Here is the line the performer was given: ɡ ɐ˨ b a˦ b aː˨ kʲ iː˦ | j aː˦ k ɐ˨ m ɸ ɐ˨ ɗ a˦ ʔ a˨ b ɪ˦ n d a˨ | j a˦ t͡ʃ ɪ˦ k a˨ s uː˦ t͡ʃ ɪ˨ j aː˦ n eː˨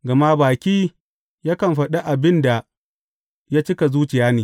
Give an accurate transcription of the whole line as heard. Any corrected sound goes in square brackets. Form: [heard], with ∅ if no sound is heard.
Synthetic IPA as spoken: ɡ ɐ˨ [m] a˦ b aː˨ kʲ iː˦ | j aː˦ k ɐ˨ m ɸ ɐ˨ ɗ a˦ ʔ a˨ b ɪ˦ n d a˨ | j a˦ t͡ʃ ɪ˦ k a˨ [z] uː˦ t͡ʃ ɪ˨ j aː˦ n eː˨